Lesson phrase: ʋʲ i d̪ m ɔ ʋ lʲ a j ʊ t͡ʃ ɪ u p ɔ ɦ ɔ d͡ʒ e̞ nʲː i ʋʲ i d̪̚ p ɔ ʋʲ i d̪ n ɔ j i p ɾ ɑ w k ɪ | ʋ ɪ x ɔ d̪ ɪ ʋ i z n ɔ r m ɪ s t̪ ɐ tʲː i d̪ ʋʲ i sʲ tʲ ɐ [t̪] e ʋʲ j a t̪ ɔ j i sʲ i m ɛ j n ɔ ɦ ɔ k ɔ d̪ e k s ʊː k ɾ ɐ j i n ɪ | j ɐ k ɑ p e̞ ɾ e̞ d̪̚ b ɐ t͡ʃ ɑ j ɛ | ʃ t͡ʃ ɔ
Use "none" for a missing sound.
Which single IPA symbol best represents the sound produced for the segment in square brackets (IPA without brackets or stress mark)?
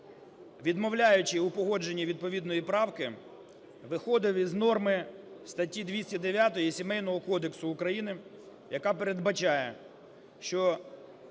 d̪